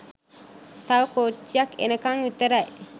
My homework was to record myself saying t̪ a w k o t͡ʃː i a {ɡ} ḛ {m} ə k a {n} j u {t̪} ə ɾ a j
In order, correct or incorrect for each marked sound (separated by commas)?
incorrect, incorrect, incorrect, correct